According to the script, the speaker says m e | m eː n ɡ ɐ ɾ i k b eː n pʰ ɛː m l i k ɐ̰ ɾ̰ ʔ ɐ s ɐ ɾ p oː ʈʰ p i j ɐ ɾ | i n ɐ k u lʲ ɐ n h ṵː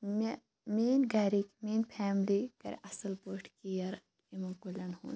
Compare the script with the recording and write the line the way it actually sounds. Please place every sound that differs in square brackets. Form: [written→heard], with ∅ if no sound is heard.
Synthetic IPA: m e | m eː n ɡ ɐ ɾ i k [b→m] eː n pʰ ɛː m l i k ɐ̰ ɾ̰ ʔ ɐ s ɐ [ɾ→l] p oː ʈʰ [p→k] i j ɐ ɾ | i [n→m] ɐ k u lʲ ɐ n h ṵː